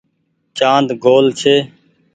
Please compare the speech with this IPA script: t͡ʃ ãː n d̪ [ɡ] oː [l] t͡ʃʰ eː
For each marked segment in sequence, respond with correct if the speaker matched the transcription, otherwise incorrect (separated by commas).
correct, correct